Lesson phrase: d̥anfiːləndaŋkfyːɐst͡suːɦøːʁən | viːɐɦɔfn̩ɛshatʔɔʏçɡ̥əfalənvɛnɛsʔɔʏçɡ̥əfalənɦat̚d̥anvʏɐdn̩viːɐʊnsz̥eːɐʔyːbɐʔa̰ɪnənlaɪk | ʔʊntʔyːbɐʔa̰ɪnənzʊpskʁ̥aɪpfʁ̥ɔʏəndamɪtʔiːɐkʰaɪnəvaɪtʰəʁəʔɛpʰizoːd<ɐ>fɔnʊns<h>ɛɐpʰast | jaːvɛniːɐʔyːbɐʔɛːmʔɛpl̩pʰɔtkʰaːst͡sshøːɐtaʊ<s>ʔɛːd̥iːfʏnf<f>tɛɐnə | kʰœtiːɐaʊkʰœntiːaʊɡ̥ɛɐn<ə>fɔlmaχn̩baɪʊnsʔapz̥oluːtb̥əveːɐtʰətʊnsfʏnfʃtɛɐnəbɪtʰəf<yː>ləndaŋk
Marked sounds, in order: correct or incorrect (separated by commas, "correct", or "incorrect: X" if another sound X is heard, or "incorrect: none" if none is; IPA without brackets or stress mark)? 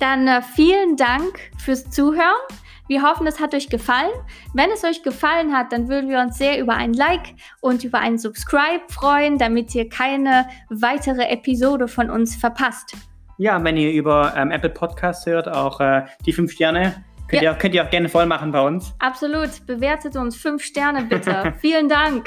incorrect: ə, incorrect: f, incorrect: x, incorrect: ʃ, correct, incorrect: iː